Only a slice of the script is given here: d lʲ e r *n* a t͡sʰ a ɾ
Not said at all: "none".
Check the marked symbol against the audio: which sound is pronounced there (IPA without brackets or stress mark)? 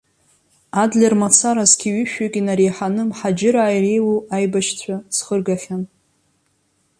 m